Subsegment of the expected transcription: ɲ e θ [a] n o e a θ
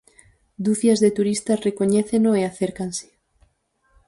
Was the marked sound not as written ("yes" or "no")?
yes